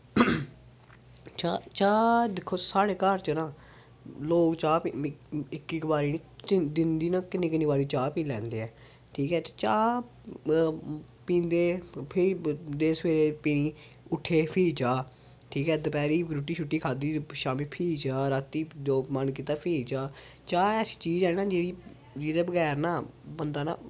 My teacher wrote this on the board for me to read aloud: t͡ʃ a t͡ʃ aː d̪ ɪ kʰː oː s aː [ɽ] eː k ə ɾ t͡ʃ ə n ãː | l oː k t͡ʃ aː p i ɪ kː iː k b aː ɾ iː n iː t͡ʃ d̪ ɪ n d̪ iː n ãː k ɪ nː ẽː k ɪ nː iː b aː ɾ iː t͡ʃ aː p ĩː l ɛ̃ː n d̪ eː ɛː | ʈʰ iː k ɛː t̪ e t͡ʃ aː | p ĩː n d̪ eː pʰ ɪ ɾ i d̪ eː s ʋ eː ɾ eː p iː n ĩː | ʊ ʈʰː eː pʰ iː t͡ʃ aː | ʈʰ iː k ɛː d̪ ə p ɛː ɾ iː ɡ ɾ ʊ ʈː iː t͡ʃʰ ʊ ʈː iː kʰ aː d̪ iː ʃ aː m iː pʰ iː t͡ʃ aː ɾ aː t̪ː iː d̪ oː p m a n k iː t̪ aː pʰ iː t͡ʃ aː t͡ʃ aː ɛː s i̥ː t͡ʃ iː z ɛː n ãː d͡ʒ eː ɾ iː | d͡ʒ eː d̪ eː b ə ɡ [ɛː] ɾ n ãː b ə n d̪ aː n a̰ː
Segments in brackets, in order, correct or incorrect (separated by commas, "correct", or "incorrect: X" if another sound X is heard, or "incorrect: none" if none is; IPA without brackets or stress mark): correct, correct